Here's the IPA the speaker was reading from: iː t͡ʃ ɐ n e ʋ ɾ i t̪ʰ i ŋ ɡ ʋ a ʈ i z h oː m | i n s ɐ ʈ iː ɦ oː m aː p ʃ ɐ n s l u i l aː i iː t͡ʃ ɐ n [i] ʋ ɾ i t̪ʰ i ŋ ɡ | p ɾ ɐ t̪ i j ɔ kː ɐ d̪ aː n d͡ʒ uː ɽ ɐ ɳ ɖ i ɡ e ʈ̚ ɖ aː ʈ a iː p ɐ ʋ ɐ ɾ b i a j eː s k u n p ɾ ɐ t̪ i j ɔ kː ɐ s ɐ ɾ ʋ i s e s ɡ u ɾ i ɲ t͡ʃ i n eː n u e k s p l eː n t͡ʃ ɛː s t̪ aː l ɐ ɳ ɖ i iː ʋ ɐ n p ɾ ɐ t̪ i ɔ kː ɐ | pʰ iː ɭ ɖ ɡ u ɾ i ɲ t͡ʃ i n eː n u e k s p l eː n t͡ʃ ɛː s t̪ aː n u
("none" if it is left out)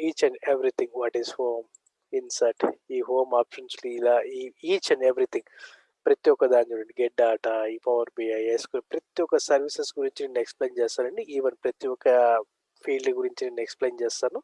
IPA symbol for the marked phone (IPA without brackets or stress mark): e